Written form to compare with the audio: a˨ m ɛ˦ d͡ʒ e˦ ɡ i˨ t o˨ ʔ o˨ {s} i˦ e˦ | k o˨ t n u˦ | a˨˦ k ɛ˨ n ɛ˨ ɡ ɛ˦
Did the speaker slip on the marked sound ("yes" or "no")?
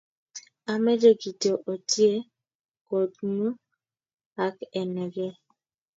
yes